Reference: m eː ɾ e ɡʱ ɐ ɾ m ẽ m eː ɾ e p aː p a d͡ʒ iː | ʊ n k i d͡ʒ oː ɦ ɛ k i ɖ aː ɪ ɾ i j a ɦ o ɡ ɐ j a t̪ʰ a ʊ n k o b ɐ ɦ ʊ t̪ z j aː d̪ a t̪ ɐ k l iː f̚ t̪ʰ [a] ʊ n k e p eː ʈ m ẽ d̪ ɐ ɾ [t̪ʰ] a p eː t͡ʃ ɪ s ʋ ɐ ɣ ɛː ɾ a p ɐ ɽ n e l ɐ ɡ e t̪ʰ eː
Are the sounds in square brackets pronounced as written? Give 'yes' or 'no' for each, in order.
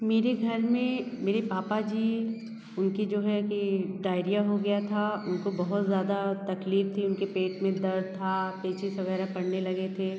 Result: no, yes

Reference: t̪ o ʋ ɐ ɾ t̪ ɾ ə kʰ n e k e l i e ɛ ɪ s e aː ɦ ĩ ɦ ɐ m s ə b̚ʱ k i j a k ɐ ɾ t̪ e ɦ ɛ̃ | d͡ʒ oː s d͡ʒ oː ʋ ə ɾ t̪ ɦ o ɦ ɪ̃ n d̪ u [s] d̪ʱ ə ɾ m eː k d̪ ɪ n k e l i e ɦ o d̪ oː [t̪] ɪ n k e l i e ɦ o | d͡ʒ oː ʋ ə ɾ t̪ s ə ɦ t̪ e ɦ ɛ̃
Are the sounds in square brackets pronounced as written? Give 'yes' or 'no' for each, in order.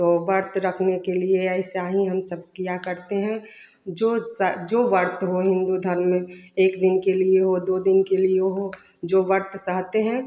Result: no, no

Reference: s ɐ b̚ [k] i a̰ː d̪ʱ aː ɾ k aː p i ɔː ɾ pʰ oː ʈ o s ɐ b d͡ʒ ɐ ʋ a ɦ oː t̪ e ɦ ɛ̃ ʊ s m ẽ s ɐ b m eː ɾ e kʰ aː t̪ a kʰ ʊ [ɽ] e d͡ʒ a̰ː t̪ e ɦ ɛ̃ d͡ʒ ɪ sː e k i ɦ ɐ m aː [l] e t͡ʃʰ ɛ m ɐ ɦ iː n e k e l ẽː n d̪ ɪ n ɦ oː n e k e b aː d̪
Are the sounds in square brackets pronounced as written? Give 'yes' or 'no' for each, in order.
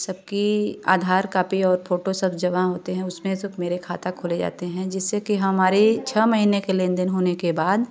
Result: yes, no, no

